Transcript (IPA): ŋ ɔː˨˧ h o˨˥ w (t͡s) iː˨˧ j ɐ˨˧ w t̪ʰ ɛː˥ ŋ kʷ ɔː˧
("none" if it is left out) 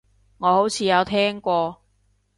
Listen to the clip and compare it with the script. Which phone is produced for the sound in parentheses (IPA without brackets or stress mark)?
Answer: t͡sʰ